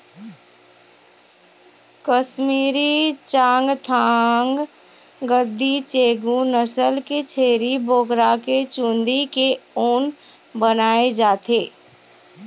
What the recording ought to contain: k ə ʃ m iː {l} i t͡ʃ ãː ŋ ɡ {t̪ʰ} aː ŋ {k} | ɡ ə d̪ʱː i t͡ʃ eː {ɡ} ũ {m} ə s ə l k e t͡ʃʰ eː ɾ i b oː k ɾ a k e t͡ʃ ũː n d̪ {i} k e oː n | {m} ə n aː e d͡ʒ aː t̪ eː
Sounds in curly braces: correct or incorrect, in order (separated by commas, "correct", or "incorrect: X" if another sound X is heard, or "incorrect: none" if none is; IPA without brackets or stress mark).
incorrect: ɾ, correct, incorrect: ɡ, correct, incorrect: n, correct, incorrect: b